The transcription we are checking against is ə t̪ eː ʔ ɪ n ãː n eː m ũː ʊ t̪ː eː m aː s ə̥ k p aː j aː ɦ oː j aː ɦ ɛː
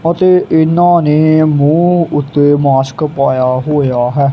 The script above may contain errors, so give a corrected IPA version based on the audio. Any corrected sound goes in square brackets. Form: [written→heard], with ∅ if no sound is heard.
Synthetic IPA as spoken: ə t̪ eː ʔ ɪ n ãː n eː m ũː ʊ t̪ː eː m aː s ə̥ k p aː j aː ɦ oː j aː ɦ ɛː

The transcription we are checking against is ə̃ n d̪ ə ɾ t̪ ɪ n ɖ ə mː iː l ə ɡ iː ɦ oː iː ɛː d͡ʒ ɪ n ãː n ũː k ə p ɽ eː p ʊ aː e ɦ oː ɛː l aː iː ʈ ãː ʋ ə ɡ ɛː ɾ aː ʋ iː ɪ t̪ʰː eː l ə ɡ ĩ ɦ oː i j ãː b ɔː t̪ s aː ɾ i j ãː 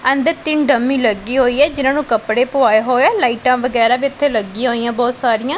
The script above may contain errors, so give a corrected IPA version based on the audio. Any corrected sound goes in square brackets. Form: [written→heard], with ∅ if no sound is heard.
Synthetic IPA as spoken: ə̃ n d̪ ə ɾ t̪ ɪ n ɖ ə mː iː l ə ɡ iː ɦ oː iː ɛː d͡ʒ ɪ n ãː n ũː k ə p ɽ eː p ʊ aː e ɦ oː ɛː l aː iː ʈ ãː ʋ ə ɡ ɛː ɾ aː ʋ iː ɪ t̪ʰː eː l ə ɡ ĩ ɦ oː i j ãː b ɔː t̪ s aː ɾ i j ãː

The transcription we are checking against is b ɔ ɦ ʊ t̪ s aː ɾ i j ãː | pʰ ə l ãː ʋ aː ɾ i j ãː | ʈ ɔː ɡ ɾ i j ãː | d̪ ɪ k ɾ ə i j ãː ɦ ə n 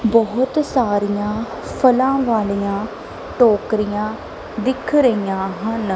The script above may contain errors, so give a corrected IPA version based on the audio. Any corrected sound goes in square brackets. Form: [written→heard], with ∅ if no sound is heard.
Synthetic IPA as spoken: b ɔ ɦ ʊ t̪ s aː ɾ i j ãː | pʰ ə l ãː ʋ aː [ɾ→l] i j ãː | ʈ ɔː [ɡ→k] ɾ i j ãː | d̪ ɪ [k→kʰ] ɾ ə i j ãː ɦ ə n

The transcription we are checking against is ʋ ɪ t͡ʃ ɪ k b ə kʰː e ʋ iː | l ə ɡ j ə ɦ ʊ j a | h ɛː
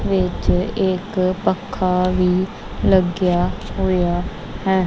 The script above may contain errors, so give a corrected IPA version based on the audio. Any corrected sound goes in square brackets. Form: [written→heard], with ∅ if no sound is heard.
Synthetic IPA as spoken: ʋ ɪ t͡ʃ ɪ k [b→p] ə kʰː [e→a] ʋ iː | l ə ɡ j [ə→a] ɦ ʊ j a | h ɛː

